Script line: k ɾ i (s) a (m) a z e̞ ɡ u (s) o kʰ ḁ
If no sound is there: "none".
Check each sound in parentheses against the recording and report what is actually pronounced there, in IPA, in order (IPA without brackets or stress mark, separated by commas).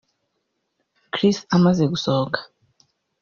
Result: s, m, s